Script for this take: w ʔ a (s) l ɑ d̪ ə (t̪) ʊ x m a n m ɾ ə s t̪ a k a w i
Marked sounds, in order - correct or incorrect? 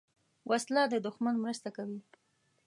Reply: correct, incorrect: d̪

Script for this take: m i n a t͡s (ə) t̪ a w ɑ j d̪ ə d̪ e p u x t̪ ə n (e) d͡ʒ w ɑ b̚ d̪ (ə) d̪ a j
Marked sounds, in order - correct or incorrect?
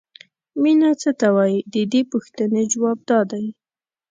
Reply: correct, correct, incorrect: ɑ

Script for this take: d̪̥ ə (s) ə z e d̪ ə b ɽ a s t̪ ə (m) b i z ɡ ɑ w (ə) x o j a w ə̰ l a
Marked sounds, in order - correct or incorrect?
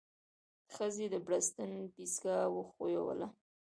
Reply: incorrect: x, incorrect: n, correct

